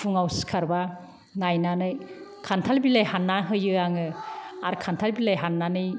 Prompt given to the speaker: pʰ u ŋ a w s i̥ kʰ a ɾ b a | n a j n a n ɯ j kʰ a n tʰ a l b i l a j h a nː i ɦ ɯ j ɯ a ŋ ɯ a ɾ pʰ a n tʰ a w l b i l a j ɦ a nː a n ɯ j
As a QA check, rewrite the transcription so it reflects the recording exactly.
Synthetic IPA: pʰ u ŋ a w s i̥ kʰ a ɾ b a | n a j n a n ɯ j kʰ a n tʰ a l b i l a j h a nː a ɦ ɯ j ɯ a ŋ ɯ a ɾ kʰ a n tʰ a l b i l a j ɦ a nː a n ɯ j